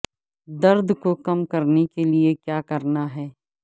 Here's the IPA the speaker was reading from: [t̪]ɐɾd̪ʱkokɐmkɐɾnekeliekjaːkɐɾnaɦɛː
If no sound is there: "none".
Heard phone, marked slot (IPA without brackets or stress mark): d̪